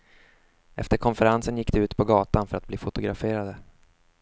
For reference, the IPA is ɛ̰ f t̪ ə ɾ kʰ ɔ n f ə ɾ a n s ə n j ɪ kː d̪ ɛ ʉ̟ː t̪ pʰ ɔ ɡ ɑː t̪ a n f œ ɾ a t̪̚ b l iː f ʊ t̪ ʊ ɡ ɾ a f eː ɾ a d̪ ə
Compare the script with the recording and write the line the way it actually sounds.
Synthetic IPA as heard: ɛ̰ f t̪ ə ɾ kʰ ɔ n f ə ɾ a n s ə n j ɪ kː d̪ ɛ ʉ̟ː t̪ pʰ ɔ ɡ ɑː t̪ a n f œ ɾ a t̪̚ b l iː f ʊ t̪ ʊ ɡ ɾ a f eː ɾ a d̪ ə